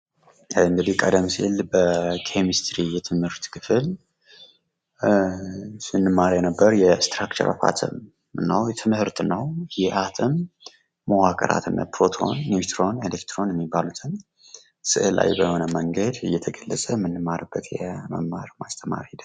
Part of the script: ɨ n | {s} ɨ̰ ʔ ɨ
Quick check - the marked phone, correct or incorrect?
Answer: correct